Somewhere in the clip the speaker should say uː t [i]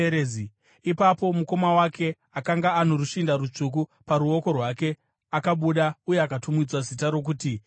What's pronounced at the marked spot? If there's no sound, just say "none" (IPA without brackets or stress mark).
i